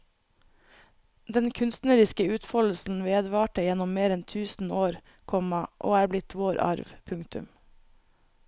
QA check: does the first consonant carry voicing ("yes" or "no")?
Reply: yes